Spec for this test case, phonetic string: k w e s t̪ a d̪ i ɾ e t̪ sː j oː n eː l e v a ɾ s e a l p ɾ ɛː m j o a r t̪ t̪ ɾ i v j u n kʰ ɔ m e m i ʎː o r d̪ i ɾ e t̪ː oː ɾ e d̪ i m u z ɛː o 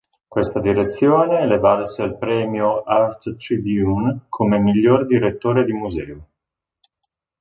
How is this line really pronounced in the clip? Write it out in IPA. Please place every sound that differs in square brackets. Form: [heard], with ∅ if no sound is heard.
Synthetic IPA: k w e s t̪ a d̪ i ɾ e t̪ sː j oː n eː l e v a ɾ s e a l p ɾ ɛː m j o a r t̪ t̪ ɾ i [b] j u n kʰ [o] m e m i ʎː o r d̪ i ɾ e t̪ː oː ɾ e d̪ i m u z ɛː o